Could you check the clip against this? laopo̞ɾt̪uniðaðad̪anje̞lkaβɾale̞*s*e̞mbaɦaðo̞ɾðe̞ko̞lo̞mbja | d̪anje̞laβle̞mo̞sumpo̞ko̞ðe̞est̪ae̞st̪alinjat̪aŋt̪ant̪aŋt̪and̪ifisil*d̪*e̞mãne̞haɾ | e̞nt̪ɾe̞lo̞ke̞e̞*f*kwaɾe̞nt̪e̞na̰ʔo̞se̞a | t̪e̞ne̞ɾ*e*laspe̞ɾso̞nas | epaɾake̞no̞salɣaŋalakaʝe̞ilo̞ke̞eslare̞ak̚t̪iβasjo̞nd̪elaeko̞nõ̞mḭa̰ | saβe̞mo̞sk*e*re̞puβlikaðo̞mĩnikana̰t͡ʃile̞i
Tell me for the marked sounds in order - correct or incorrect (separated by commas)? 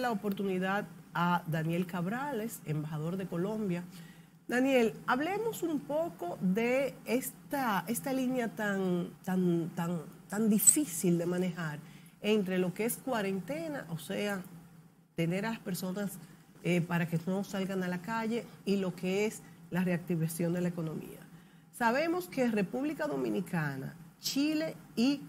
correct, correct, incorrect, incorrect, correct